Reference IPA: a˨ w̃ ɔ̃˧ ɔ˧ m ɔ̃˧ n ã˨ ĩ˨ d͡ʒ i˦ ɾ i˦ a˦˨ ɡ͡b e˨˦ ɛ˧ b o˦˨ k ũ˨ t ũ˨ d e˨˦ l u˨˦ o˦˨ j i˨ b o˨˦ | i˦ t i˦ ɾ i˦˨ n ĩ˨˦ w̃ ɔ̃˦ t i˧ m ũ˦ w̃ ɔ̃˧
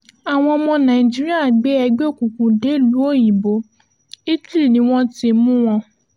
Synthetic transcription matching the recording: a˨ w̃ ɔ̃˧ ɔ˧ m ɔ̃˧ n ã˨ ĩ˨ d͡ʒ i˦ ɾ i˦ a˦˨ ɡ͡b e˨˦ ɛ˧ ɡ͡b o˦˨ k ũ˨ k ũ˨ d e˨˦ l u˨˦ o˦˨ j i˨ b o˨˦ | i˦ t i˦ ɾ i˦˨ n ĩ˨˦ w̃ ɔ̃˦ t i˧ m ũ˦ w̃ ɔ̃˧